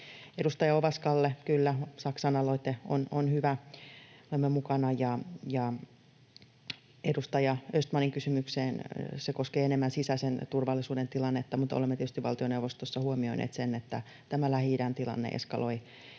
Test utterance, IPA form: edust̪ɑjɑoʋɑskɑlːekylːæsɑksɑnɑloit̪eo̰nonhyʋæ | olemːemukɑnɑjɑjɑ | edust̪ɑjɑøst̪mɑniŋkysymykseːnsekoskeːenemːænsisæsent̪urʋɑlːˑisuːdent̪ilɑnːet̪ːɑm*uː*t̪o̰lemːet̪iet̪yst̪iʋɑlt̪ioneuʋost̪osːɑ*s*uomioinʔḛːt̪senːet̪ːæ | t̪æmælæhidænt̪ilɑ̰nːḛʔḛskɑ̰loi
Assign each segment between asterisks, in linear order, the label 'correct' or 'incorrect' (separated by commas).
incorrect, incorrect